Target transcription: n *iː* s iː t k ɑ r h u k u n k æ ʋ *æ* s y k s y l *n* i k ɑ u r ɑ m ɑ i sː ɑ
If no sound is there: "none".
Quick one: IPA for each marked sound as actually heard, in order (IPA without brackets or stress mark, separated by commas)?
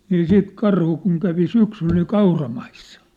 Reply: iː, i, n